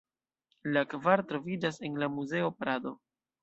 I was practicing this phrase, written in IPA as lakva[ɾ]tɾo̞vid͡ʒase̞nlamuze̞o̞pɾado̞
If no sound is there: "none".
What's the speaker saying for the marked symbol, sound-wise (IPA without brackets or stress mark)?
ɾ